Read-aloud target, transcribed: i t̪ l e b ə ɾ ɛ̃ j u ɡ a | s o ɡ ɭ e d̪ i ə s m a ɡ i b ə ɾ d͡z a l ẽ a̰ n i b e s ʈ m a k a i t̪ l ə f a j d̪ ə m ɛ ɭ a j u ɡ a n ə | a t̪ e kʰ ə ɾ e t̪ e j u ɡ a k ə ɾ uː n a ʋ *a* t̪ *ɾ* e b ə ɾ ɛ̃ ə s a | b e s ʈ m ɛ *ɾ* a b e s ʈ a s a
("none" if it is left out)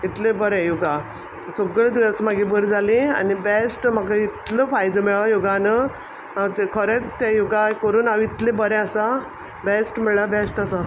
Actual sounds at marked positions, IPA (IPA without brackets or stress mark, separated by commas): i, l, ɭ